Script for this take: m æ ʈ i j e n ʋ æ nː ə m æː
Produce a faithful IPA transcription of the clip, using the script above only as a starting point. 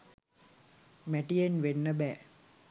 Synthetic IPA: m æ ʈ i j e n ʋ e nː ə b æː